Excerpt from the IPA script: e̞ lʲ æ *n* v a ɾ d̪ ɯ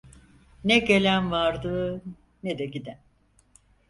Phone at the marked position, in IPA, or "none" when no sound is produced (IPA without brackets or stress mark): n